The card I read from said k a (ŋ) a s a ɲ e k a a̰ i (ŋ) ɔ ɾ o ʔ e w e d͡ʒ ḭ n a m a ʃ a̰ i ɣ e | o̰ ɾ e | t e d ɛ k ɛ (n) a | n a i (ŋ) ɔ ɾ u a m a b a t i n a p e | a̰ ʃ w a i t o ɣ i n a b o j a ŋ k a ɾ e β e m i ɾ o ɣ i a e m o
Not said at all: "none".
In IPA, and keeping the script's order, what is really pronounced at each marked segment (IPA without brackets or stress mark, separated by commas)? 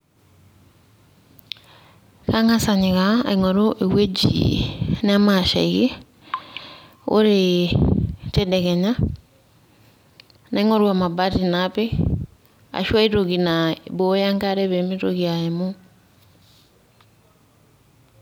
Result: ŋ, ŋ, ɲ, ŋ